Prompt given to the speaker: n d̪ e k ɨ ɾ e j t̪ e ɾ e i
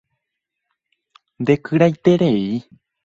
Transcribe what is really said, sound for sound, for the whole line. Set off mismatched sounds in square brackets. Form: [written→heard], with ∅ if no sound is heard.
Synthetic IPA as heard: n d̪ e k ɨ ɾ [e→a] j t̪ e ɾ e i